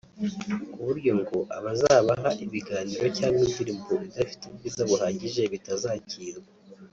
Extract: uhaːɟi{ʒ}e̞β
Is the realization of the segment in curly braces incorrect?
no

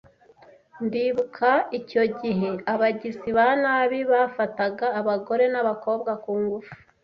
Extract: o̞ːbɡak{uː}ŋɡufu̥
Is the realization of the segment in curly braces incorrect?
no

